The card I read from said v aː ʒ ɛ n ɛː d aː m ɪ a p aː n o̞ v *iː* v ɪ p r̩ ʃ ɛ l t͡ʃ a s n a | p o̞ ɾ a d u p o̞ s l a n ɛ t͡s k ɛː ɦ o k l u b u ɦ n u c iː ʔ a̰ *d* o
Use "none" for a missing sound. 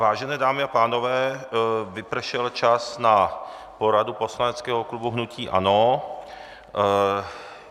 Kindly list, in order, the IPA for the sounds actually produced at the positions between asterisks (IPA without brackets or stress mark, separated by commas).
ɛː, n